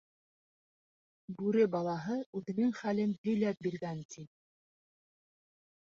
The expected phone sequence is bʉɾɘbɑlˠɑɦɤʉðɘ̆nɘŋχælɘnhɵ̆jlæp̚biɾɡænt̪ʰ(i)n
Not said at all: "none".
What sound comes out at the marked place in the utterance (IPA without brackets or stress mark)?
i